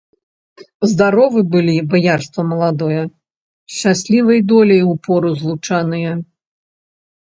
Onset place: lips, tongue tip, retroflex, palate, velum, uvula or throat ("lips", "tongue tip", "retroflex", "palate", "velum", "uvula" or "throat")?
tongue tip